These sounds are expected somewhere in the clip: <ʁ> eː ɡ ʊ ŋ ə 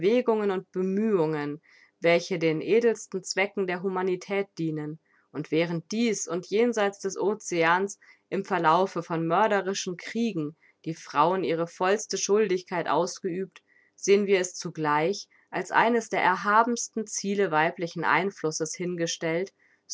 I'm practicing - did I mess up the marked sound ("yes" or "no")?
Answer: yes